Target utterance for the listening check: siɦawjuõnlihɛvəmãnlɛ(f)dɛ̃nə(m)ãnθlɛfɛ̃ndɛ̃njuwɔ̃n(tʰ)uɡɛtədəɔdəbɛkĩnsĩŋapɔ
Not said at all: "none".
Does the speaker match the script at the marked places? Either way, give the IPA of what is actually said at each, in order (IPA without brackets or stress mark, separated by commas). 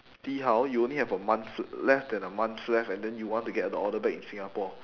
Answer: f, m, t